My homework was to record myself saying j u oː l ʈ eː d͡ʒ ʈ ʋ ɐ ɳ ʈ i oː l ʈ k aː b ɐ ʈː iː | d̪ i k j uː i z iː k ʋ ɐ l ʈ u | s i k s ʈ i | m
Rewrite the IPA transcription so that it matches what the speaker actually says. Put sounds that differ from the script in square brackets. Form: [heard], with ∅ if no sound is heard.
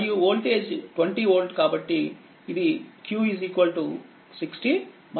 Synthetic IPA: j u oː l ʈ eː d͡ʒ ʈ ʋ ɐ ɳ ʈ i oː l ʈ k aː b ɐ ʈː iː | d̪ i k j uː i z iː k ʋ ɐ l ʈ u | s i k s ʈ i | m